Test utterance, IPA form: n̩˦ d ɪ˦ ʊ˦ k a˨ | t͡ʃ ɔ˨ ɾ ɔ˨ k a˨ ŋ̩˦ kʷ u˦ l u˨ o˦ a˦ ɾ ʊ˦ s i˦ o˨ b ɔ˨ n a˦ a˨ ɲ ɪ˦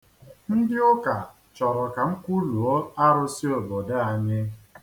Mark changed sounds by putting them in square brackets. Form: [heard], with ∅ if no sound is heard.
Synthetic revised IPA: n̩˦ d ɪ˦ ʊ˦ k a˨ | t͡ʃ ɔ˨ ɾ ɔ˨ k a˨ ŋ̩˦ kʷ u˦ l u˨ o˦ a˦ ɾ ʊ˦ s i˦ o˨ b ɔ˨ [d] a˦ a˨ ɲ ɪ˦